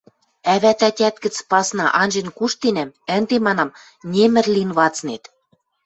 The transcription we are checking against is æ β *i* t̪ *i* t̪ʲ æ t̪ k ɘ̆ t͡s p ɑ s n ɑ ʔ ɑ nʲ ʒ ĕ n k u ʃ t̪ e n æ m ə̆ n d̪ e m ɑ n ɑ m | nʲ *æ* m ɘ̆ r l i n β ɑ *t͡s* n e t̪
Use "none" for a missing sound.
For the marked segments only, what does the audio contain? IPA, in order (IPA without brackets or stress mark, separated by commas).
æ, æ, e, t͡s